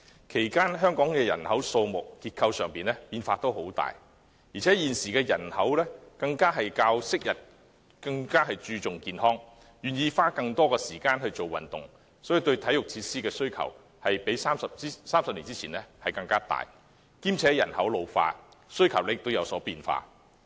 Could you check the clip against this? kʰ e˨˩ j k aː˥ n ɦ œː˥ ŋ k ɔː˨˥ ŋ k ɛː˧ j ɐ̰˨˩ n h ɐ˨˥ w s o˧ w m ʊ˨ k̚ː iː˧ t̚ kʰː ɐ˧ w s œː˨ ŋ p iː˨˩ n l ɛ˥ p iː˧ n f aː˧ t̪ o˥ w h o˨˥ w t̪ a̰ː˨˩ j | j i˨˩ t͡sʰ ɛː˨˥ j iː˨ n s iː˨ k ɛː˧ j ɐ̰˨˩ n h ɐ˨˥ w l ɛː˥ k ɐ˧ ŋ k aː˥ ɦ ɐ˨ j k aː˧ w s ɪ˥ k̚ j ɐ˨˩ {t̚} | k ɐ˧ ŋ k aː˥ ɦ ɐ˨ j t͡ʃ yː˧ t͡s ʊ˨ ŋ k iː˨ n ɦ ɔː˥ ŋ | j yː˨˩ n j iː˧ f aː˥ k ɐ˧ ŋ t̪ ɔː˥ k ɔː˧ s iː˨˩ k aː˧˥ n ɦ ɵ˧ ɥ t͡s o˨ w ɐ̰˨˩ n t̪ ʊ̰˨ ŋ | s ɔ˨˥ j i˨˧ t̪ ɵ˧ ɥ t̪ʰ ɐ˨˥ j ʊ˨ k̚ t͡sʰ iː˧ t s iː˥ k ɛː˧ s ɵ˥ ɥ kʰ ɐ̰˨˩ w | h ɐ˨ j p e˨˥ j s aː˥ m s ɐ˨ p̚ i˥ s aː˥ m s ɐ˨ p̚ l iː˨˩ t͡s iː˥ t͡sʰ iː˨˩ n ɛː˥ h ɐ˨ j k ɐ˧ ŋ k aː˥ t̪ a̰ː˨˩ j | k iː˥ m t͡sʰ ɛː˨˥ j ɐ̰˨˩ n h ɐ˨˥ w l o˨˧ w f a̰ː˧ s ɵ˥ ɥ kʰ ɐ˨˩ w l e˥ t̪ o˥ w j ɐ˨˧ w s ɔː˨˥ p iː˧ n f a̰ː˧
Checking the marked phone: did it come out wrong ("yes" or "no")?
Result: no